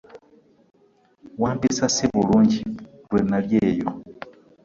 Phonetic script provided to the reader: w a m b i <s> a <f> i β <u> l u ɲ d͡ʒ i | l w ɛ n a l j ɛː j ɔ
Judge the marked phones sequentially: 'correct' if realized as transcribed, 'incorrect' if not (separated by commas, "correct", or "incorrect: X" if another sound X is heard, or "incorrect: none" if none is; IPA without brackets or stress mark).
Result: correct, incorrect: s, correct